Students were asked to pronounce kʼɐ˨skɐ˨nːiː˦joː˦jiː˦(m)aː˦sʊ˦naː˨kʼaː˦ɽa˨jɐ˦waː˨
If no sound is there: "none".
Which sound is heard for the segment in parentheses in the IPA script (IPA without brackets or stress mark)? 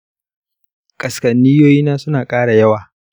n